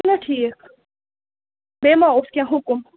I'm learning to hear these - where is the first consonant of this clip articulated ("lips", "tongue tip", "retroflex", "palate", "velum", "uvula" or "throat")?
tongue tip